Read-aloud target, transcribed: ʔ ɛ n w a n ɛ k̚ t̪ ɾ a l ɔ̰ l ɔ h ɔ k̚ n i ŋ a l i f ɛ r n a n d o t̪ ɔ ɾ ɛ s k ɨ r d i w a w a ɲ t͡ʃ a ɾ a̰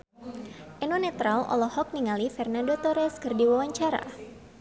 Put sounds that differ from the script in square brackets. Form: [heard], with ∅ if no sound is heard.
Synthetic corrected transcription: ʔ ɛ n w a n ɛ [∅] t̪ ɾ a l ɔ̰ l ɔ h ɔ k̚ n i ŋ a l i f ɛ r n a n d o t̪ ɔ ɾ ɛ s k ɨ r d i w a w a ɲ t͡ʃ a ɾ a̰